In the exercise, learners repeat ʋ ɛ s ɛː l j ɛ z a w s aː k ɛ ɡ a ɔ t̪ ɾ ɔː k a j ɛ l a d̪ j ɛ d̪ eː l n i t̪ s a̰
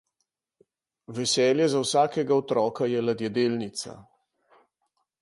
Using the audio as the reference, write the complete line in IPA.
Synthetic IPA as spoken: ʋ ɛ s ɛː l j ɛ z a w s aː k ɛ ɡ a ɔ t̪ ɾ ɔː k a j ɛ l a d̪ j ɛ d̪ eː l n i t̪ s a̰